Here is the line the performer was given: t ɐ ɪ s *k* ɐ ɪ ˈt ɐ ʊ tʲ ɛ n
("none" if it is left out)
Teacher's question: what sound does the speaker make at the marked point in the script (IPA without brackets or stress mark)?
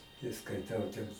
k